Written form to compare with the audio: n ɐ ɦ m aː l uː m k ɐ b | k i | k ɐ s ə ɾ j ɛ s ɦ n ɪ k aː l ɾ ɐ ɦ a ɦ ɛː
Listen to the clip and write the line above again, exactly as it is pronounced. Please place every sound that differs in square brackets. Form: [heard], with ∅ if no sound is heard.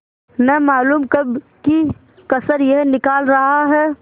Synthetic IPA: n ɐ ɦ m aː l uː m k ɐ b | k i | k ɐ s ə ɾ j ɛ [∅] ɦ n ɪ k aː l ɾ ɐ ɦ a ɦ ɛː